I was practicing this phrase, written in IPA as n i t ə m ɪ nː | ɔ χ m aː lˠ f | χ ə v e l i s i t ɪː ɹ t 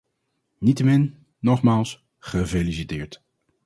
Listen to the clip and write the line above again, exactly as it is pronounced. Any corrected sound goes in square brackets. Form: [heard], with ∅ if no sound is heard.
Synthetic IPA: n i t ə m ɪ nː | ɔ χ m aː lˠ [s] | χ ə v e l i s i t ɪː ɹ t